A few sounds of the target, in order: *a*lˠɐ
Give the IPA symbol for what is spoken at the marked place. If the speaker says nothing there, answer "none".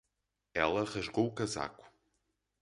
ɛ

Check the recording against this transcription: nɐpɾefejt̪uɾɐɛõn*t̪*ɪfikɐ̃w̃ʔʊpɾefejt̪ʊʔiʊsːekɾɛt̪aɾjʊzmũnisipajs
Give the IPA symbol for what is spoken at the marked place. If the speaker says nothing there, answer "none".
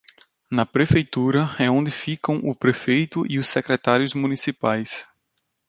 d̪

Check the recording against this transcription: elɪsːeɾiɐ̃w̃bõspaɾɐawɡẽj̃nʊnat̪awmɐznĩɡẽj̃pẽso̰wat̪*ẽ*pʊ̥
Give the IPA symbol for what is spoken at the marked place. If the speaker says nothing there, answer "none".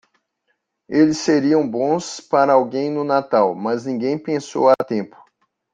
ẽ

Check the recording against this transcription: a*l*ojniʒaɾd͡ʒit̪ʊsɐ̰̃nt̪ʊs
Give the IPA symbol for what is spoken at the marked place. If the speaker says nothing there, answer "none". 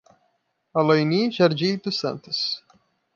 l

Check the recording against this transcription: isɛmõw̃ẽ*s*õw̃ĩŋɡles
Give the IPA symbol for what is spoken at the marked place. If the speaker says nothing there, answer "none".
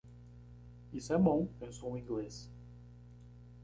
s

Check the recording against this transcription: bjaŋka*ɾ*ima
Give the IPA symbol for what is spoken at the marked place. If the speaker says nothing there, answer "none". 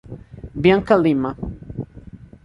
l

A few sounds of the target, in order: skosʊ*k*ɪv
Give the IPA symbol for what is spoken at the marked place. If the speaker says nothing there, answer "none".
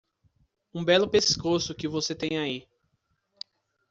k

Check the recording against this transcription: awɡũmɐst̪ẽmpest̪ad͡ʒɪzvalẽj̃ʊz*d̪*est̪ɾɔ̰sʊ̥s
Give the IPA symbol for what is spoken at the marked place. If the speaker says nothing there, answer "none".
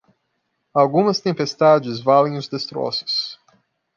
d̪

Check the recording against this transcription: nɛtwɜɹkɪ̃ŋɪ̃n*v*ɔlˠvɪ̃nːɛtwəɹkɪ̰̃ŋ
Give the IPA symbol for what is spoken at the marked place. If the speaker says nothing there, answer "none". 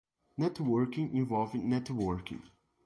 v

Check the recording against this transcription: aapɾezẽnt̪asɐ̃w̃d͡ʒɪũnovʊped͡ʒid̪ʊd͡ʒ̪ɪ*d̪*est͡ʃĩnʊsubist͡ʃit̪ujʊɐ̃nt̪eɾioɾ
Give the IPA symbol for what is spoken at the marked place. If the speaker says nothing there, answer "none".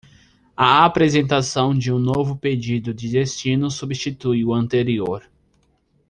d̪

